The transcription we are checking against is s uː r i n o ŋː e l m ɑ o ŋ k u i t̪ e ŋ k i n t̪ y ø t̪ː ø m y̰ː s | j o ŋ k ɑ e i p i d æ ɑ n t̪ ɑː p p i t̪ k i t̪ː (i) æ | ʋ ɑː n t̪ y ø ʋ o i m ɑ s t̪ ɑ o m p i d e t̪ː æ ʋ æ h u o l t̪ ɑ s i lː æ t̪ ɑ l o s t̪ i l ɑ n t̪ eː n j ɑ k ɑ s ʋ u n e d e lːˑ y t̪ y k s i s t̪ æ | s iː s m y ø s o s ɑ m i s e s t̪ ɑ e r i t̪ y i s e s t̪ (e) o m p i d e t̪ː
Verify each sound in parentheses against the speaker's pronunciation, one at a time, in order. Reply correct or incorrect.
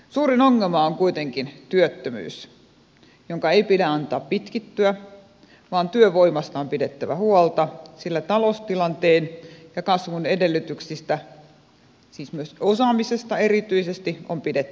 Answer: incorrect: y, incorrect: i

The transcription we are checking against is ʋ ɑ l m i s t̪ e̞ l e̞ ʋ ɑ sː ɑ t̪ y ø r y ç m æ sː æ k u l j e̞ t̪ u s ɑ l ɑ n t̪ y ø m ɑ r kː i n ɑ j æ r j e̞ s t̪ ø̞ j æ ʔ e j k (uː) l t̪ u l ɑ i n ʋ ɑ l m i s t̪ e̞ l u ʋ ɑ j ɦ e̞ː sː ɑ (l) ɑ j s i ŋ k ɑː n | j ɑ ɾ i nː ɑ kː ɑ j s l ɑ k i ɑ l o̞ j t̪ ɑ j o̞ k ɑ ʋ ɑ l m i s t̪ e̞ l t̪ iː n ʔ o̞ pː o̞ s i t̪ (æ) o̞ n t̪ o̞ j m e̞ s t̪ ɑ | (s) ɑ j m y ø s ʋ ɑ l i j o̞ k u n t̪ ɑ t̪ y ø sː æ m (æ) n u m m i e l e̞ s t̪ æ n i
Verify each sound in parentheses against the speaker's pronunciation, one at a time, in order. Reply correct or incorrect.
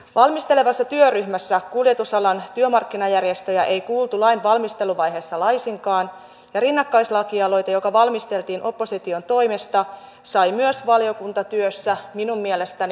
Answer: correct, correct, incorrect: i, correct, incorrect: i

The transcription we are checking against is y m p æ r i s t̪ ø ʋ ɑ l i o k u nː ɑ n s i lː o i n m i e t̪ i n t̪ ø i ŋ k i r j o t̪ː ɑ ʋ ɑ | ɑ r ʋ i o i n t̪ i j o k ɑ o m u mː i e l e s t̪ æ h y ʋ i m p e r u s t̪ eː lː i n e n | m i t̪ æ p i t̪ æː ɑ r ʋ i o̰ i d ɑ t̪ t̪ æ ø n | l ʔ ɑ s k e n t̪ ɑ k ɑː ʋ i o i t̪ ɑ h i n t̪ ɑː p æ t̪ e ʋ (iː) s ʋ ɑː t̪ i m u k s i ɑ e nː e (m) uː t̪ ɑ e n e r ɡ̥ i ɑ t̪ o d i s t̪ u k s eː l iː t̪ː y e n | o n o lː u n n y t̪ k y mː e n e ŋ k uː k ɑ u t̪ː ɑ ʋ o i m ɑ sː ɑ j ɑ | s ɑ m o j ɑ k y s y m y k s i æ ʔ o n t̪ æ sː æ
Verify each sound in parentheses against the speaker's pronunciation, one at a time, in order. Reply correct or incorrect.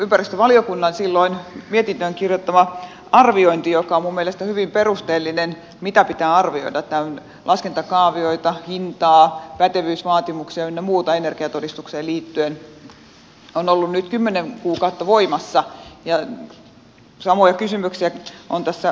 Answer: incorrect: yː, correct

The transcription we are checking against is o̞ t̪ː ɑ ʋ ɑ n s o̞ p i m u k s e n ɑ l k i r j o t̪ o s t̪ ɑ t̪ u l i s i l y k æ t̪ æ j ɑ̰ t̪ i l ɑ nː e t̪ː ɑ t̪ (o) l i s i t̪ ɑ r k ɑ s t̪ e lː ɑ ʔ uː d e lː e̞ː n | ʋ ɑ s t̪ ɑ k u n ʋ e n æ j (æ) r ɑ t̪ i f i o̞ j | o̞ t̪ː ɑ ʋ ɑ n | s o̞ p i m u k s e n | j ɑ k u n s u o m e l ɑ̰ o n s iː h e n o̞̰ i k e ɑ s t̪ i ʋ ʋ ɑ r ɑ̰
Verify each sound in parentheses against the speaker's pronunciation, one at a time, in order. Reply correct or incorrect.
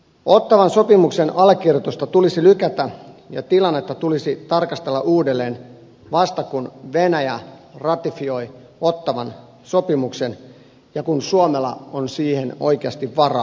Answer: incorrect: u, correct

